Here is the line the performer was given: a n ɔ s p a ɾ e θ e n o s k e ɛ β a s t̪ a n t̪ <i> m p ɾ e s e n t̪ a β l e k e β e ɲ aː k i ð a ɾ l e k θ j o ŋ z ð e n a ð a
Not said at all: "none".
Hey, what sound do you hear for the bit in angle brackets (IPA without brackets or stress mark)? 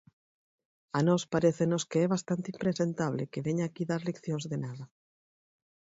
i